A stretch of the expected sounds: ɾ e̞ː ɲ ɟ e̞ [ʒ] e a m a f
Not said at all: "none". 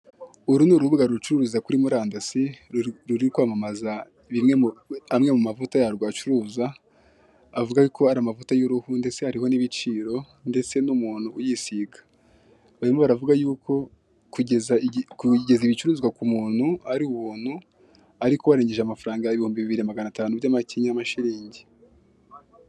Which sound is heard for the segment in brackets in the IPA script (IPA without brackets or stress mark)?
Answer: ʒ